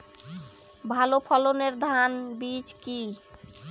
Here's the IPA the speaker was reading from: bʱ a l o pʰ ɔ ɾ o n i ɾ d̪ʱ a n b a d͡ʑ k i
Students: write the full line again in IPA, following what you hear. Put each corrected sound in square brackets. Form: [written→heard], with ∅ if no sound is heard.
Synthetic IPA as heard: bʱ a l o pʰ ɔ [ɾ→l] o n [i→e] ɾ d̪ʱ a n b [a→i] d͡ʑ k i